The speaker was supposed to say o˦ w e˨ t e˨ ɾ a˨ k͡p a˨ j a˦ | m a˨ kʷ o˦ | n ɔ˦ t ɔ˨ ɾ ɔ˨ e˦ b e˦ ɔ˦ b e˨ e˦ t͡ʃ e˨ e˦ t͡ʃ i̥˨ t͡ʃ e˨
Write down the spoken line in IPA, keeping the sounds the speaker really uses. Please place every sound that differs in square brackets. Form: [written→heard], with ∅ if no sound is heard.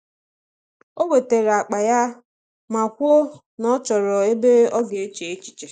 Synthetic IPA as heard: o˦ w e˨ t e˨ ɾ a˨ k͡p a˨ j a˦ | m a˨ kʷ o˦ | n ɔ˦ [t→t͡ʃ] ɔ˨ ɾ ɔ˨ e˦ b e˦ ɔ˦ [b→ɡ] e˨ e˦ t͡ʃ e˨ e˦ t͡ʃ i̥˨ t͡ʃ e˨